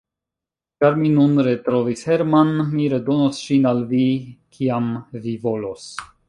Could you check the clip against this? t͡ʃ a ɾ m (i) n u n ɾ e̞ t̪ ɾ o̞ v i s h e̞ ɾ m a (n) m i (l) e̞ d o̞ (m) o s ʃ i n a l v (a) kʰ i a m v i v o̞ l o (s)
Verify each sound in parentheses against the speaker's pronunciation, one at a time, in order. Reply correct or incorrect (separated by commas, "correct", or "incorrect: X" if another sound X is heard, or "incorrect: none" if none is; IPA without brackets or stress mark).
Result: correct, correct, incorrect: ɾ, incorrect: n, incorrect: i, correct